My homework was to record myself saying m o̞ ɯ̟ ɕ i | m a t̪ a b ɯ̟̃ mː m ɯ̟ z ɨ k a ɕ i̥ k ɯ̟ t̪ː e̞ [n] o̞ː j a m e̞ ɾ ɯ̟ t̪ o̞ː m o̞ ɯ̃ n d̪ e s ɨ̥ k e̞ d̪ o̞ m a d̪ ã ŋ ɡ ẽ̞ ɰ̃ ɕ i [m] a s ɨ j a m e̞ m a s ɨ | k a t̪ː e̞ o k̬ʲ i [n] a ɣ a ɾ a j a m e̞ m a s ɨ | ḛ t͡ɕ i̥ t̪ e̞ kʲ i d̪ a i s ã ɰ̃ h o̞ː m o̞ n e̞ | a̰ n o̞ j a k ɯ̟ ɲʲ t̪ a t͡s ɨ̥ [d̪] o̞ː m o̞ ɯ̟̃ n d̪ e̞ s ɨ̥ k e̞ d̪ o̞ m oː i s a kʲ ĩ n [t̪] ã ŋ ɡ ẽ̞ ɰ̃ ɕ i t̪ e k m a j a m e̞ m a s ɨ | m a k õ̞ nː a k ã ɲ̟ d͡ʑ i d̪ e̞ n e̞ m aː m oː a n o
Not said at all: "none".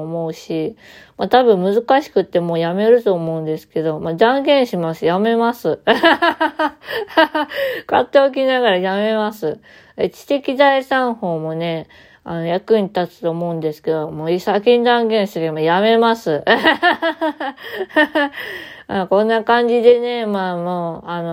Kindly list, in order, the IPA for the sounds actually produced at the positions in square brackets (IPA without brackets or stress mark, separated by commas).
m, m, n, t̪, d̪